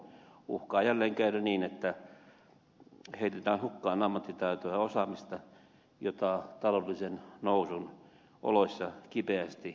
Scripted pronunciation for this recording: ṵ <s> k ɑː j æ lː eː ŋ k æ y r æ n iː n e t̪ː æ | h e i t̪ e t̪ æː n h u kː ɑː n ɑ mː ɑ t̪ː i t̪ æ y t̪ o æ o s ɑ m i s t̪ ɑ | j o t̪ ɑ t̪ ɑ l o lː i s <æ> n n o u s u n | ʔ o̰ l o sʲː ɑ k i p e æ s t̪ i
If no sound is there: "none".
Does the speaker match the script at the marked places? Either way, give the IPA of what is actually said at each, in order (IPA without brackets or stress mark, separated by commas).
h, e